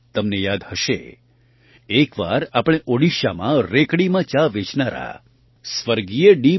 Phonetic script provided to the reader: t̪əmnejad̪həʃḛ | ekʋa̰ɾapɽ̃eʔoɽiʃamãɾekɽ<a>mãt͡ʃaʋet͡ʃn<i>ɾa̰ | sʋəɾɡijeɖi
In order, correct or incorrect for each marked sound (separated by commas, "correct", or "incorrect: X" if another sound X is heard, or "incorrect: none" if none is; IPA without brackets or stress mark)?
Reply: incorrect: i, incorrect: a